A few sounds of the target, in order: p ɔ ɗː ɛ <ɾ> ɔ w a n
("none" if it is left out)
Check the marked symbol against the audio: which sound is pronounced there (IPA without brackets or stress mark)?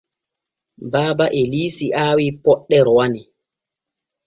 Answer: ɾ